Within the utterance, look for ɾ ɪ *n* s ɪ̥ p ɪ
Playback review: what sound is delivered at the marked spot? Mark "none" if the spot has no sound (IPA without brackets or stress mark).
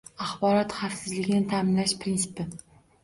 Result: n